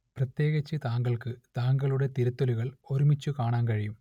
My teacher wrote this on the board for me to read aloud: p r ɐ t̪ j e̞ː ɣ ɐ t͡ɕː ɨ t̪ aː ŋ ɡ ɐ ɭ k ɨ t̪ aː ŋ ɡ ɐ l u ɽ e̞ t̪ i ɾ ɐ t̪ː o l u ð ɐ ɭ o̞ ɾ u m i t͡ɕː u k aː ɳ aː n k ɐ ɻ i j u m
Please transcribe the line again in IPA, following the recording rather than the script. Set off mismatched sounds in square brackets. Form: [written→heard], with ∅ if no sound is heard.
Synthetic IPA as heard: p r ɐ t̪ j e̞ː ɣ ɐ t͡ɕː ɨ t̪ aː ŋ ɡ ɐ ɭ k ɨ t̪ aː ŋ ɡ ɐ [l→ɭ] u ɽ e̞ t̪ i ɾ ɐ t̪ː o l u [ð→ɣ] ɐ ɭ o̞ ɾ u m i t͡ɕː u k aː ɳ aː n k ɐ ɻ i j u m